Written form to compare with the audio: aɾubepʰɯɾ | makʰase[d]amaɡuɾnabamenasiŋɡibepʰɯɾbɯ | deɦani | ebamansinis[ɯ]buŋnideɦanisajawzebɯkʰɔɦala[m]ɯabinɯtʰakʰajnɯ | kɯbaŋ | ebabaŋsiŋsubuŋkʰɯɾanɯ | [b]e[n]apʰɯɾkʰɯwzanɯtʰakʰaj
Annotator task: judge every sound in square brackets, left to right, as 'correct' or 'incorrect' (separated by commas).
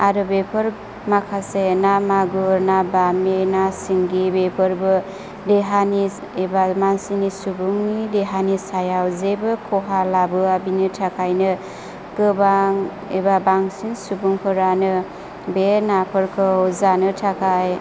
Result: incorrect, incorrect, incorrect, correct, correct